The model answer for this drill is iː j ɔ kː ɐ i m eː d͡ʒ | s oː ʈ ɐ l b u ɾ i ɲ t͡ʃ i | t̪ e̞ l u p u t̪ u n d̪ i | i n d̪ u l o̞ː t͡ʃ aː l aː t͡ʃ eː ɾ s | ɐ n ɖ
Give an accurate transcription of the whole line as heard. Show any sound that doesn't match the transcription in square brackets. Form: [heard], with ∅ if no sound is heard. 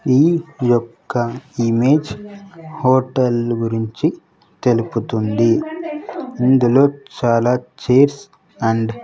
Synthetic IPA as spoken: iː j ɔ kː ɐ i m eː d͡ʒ | [h] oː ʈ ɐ l [ɡ] u ɾ i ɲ t͡ʃ i | t̪ e̞ l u p u t̪ u n d̪ i | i n d̪ u l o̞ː t͡ʃ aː l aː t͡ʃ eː ɾ s | ɐ [ɳ] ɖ